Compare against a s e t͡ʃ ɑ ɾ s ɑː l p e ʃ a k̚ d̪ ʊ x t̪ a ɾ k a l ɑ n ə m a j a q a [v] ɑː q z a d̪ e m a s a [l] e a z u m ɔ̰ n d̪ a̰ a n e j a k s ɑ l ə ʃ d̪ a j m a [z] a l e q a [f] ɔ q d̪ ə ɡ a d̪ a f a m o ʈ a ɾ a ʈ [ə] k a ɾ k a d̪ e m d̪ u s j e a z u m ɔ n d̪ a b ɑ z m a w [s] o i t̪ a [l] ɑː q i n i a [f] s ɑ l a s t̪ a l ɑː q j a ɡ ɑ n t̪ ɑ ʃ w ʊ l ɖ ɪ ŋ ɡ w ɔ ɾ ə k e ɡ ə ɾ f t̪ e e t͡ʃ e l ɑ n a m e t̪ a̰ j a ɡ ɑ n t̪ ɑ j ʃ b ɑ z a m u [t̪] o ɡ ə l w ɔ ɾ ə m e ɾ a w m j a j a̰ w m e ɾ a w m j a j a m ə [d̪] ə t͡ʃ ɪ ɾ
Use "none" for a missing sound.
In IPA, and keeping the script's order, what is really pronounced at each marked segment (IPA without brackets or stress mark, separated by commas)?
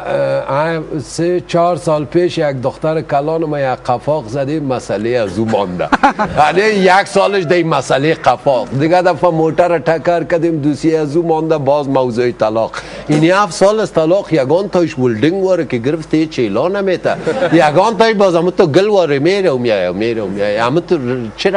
f, l, s, f, a, z, l, f, t̪, t̪